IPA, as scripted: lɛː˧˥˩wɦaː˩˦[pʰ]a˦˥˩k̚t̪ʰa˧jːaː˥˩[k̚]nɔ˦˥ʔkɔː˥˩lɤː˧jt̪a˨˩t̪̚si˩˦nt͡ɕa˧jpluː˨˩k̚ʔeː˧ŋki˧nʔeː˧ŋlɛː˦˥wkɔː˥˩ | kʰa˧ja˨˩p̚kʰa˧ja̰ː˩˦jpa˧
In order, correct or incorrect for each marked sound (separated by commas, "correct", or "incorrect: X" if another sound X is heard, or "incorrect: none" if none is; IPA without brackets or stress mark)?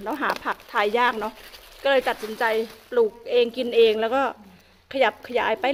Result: correct, correct